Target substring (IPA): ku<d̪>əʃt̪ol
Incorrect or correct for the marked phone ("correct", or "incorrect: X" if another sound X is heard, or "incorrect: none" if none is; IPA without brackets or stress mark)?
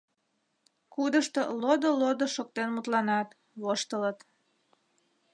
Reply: correct